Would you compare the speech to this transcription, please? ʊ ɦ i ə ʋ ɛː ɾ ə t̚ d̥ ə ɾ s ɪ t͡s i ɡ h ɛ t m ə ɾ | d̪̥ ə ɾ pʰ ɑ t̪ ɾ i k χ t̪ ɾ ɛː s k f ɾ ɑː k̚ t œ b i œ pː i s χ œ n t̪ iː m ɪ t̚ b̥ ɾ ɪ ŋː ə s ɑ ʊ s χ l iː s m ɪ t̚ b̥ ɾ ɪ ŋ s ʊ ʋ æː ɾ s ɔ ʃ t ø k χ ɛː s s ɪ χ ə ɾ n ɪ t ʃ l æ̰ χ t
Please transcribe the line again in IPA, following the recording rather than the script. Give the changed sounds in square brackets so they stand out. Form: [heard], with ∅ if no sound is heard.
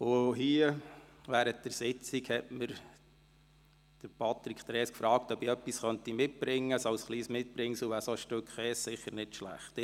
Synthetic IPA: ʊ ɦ i ə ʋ [æː] ɾ ə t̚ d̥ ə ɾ s ɪ t͡s i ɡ h ɛ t m ə ɾ | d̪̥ ə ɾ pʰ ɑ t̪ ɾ i k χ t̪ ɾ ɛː s k f ɾ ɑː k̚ t œ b i œ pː i s χ œ n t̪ [i] m ɪ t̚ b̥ ɾ ɪ ŋː ə s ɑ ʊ s χ l iː s m ɪ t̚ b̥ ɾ ɪ ŋ s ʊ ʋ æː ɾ s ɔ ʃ t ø k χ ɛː s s ɪ χ ə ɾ n ɪ t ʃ l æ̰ χ t